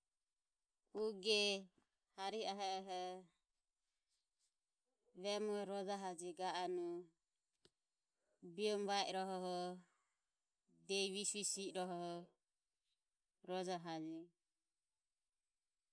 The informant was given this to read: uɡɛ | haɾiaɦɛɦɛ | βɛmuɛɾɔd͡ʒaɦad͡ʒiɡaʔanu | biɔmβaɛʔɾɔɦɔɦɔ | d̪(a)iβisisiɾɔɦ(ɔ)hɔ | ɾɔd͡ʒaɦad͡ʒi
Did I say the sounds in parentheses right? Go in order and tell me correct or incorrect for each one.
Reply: incorrect, correct

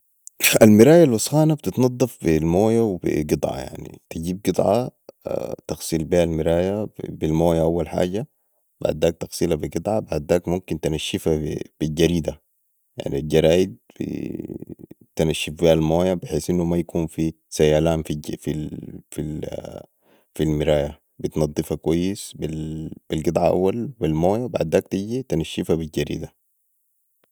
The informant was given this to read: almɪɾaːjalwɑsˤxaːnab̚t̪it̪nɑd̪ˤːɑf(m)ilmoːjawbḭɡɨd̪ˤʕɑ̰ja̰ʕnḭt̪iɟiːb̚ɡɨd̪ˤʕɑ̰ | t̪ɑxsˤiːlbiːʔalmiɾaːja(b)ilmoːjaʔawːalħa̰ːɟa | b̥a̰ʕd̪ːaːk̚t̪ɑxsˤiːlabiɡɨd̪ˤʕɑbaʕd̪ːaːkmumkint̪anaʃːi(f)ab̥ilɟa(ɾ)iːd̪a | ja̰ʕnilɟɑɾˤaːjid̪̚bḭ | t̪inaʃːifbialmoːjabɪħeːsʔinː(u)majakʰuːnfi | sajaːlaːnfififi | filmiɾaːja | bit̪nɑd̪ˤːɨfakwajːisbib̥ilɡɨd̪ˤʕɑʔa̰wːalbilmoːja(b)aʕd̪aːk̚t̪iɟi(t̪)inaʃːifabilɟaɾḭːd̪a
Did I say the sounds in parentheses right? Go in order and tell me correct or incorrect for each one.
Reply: incorrect, correct, correct, correct, correct, correct, correct

